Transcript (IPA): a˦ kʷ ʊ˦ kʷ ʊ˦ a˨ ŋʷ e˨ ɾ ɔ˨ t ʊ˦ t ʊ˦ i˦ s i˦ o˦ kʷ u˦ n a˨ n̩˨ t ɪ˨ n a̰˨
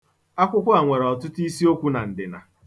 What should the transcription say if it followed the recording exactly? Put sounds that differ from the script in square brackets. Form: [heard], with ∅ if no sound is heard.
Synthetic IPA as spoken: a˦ kʷ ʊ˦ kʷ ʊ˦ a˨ ŋʷ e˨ ɾ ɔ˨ t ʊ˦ t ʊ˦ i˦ s i˦ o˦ kʷ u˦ n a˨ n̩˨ [d] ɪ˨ n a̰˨